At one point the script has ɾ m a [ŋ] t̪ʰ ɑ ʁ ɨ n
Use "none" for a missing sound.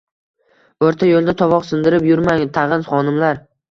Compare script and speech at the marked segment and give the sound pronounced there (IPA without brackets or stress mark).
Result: ŋ